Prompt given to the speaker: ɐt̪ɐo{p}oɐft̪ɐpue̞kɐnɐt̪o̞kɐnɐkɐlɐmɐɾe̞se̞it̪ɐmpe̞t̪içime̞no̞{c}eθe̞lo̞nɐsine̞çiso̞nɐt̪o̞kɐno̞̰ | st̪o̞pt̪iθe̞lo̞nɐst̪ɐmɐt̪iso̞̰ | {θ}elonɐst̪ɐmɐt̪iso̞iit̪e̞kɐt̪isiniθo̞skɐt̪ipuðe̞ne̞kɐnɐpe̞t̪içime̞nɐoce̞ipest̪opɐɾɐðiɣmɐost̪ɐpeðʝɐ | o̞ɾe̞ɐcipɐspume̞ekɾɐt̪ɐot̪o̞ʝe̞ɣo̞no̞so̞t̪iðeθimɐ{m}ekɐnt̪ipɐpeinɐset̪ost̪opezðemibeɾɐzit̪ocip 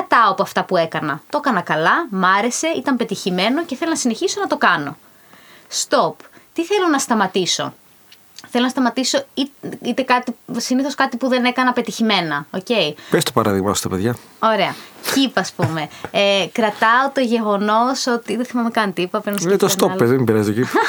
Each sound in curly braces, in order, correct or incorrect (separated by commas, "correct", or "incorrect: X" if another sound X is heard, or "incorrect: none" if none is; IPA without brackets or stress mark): correct, correct, correct, correct